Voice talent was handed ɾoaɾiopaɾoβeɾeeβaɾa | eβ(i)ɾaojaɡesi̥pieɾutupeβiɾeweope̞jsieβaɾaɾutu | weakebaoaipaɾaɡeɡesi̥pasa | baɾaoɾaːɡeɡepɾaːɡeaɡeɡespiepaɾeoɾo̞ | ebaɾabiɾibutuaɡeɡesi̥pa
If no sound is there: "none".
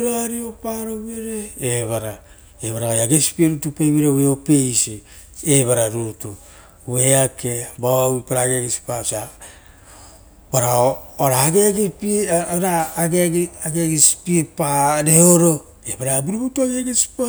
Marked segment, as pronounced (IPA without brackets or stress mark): a